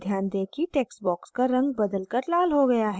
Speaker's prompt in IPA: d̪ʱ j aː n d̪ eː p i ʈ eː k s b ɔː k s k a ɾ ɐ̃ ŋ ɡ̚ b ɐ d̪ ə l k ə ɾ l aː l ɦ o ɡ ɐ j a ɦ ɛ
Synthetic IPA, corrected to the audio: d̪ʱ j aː n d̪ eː k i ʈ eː k s b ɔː k s k a ɾ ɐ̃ ŋ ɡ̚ b ɐ d̪ ə l k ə ɾ l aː l ɦ o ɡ ɐ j a ɦ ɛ